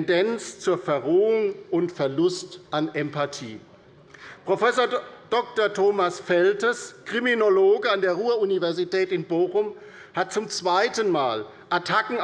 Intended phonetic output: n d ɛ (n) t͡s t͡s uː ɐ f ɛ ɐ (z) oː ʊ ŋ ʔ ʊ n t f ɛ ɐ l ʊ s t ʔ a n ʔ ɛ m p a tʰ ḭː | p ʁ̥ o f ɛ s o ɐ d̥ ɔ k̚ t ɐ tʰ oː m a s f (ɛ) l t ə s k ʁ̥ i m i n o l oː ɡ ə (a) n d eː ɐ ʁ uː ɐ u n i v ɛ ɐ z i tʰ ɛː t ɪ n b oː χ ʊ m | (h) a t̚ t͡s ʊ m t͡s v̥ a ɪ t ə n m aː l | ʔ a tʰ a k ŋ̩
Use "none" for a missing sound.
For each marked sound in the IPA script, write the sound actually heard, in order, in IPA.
n, ʁ, ɛ, a, h

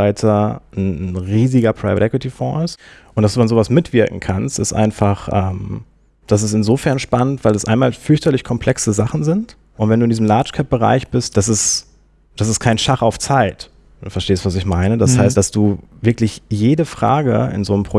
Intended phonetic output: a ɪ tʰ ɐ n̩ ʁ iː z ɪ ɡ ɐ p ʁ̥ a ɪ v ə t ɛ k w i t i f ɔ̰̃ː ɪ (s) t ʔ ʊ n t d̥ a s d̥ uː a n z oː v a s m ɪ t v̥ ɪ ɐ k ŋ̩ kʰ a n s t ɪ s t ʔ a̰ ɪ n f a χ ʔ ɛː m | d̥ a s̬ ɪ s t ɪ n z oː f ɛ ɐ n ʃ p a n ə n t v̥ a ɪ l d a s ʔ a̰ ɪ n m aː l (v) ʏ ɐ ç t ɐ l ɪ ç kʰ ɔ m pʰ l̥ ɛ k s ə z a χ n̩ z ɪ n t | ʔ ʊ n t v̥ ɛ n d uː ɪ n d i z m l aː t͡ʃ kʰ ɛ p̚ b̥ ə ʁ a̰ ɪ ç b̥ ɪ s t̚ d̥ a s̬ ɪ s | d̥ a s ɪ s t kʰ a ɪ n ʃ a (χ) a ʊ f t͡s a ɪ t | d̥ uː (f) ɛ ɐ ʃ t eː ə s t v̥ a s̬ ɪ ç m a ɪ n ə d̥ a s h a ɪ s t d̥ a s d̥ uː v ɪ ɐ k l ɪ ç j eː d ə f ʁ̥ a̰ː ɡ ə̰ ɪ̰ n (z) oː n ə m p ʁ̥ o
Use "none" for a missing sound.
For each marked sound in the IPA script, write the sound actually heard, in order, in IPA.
s, f, χ, f, z

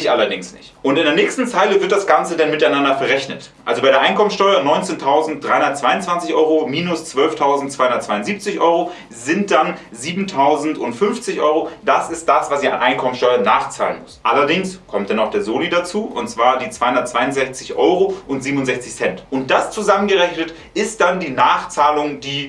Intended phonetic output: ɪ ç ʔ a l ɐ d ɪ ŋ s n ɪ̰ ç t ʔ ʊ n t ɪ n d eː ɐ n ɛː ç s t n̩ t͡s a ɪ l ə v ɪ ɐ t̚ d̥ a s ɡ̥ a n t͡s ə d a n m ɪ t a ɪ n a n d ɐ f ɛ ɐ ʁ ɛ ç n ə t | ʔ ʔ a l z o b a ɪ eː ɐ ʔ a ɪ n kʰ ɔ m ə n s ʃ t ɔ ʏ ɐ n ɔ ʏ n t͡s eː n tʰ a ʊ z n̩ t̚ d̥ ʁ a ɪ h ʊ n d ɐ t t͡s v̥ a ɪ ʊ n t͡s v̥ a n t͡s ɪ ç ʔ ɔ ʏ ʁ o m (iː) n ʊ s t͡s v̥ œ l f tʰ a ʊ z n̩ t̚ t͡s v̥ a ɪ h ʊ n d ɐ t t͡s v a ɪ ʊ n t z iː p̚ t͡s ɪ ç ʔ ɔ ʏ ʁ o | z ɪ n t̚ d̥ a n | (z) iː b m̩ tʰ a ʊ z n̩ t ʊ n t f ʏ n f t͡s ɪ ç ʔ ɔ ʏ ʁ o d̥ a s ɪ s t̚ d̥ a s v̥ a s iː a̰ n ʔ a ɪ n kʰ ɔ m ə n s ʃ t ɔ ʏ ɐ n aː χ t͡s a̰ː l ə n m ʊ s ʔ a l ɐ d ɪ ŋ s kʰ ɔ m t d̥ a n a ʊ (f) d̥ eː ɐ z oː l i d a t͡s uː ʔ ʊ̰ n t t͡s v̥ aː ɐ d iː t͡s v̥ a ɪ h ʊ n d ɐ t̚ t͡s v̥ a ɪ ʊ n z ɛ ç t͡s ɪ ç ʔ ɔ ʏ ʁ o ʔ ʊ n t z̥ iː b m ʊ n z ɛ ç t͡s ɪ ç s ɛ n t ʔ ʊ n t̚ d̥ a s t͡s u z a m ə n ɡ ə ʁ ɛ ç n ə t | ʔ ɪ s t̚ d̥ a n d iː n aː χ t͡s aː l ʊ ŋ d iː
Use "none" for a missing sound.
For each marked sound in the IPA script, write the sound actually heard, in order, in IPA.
iː, z, x

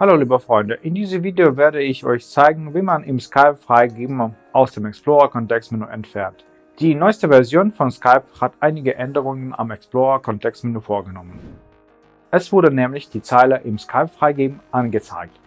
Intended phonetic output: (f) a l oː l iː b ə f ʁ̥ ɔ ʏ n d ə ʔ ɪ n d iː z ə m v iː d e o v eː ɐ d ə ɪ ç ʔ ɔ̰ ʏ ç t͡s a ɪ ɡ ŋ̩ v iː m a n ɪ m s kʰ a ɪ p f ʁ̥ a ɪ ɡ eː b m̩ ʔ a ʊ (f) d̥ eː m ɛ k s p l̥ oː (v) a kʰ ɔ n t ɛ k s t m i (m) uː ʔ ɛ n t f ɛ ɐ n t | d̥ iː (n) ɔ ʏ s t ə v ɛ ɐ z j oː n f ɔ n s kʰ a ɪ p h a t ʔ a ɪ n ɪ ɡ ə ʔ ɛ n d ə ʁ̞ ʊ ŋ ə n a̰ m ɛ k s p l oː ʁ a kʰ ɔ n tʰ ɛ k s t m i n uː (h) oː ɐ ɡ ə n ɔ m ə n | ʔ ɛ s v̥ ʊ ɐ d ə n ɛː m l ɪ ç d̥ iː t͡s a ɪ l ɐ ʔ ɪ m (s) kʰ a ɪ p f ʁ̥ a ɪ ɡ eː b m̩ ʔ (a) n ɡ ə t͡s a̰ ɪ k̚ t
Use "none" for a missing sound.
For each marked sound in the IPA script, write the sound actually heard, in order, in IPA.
h, s, ʁ, n, n, f, s, a

